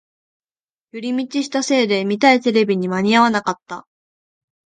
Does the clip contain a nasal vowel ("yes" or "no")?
no